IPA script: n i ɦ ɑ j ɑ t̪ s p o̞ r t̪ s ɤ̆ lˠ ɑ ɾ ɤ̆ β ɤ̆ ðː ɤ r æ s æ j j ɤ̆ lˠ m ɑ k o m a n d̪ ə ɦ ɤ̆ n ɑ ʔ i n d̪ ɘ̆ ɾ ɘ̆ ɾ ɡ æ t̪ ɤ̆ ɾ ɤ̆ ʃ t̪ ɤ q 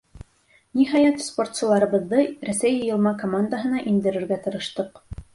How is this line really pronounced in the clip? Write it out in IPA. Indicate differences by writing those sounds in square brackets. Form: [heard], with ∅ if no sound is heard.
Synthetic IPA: n i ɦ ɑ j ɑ t̪ s p o̞ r t̪ s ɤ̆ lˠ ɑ ɾ ɤ̆ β ɤ̆ ðː ɤ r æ s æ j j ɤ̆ lˠ m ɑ k o m a n d̪ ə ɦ ɤ̆ n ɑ ʔ i n d̪ ɘ̆ ɾ ɘ̆ ɾ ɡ æ t̪ ɤ̆ ɾ ɤ̆ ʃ t̪ ɤ q